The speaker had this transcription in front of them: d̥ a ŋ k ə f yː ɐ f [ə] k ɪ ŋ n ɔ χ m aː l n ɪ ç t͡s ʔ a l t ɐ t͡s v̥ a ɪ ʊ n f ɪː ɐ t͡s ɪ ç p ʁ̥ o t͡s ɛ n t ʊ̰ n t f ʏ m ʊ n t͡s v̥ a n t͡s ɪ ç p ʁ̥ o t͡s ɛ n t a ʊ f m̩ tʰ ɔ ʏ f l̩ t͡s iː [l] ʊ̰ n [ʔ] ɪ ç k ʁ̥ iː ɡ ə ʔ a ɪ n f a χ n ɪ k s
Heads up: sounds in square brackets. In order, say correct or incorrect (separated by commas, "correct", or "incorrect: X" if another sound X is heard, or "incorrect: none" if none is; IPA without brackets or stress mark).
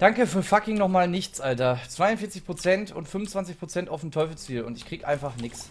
incorrect: a, correct, incorrect: t